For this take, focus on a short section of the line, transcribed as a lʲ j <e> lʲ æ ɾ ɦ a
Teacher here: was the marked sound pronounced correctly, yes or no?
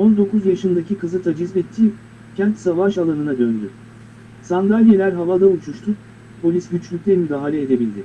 yes